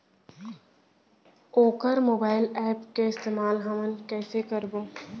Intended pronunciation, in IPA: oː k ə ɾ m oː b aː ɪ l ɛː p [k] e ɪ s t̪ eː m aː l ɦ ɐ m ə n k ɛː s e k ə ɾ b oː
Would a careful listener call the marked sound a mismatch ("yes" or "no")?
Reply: no